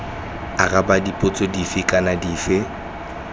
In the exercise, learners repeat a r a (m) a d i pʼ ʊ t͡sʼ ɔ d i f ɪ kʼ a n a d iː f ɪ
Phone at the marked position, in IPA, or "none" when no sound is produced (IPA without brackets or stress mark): b